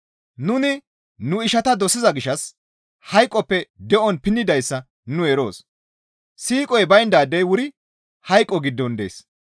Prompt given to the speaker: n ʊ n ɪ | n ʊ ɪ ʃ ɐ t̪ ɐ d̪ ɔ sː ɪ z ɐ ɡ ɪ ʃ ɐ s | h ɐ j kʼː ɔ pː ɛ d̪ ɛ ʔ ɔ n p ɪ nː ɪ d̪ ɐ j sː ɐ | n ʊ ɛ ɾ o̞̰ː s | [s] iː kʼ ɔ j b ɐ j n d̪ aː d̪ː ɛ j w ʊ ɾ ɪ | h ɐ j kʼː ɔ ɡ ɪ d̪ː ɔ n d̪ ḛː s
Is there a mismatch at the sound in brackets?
no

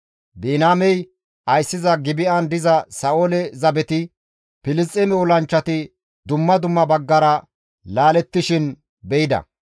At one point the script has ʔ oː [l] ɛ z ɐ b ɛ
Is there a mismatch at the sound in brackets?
no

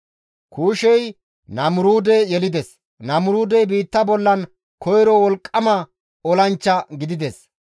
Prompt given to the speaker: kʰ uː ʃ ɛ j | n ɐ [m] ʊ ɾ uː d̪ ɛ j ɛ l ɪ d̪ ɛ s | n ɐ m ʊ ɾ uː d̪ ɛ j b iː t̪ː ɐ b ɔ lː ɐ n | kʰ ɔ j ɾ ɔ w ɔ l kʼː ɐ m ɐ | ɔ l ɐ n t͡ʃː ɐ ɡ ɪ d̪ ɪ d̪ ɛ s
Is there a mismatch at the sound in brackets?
no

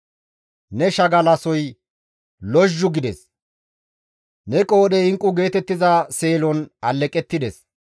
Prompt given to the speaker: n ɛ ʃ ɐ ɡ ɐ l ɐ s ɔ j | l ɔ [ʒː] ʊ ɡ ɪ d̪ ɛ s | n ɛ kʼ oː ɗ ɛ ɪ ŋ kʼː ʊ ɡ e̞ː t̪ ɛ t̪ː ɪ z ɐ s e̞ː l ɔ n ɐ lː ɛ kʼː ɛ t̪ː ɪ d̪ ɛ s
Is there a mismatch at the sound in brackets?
no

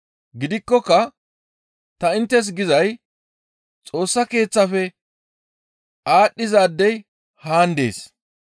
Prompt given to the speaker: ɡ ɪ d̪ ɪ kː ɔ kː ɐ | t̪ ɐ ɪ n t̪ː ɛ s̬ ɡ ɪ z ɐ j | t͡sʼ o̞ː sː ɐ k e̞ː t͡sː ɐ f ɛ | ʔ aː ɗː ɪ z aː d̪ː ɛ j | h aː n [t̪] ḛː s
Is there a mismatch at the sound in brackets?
yes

